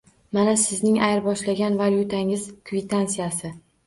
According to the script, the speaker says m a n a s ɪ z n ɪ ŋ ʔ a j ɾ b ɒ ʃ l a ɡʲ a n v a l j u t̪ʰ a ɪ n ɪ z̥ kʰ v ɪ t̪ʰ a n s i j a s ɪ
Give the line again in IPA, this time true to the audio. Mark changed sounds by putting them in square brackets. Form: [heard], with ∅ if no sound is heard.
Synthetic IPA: m a n a s ɪ z n ɪ ŋ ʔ a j ɾ b ɒ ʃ l a ɡʲ a n v a l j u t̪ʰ a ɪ [ŋ] ɪ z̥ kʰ v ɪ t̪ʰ a n s i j a s ɪ